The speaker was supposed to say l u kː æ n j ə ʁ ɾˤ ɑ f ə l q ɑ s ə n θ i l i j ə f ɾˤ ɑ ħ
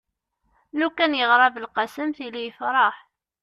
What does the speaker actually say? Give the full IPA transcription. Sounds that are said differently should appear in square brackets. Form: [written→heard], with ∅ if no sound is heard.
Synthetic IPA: l u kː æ n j ə ʁ ɾˤ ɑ [f→v] ə l q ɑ s ə [n→m] θ i l i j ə f ɾˤ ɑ ħ